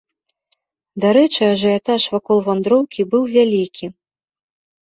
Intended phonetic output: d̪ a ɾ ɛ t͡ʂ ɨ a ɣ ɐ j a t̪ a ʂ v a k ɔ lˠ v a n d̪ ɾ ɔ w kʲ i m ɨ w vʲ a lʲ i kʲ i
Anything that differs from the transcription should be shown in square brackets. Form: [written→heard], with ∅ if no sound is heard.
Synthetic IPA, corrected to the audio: d̪ a ɾ ɛ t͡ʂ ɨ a [ɣ→ʐ] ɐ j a t̪ a ʂ v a k ɔ lˠ v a n d̪ ɾ ɔ w kʲ i [m→b] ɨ w vʲ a lʲ i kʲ i